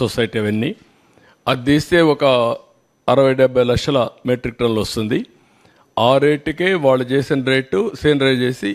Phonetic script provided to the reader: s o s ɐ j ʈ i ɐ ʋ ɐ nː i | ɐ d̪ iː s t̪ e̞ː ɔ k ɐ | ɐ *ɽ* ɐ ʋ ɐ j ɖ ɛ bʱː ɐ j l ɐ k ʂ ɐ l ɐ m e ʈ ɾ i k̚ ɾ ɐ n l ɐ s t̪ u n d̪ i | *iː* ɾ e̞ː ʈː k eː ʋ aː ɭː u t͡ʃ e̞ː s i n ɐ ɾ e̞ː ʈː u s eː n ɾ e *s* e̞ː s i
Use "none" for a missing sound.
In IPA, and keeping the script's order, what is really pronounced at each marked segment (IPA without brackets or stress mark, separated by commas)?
ɾ, aː, none